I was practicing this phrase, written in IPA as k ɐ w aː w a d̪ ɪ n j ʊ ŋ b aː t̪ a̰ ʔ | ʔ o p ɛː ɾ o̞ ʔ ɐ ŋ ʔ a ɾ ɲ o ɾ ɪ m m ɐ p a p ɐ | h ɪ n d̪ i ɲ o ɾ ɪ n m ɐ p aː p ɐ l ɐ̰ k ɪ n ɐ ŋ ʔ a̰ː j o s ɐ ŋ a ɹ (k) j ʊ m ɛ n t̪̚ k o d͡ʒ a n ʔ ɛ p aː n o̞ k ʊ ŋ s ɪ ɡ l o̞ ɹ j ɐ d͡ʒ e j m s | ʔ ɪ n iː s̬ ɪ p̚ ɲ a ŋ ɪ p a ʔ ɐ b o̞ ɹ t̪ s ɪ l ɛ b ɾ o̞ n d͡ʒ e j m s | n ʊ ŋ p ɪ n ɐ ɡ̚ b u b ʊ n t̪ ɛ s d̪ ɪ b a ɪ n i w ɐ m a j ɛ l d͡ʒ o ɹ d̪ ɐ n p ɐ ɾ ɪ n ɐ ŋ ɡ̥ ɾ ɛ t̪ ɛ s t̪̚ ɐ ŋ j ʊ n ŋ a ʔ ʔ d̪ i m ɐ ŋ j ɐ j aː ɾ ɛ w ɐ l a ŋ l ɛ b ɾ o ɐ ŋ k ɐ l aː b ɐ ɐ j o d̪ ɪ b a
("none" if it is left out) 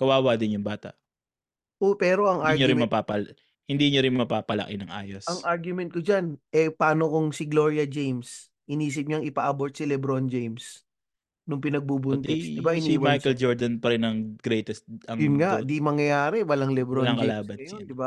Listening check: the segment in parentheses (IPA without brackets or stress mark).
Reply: ɡ